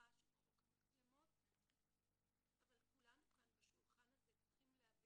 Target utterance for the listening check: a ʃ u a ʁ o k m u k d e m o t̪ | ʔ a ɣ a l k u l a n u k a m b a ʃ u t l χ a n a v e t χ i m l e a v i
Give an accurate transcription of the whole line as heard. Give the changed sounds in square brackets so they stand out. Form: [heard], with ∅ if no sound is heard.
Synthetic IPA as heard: a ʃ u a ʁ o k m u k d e m o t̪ | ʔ a [v] a l k u l a n u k a [n] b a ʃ u [∅] l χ a n a [z] e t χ i m l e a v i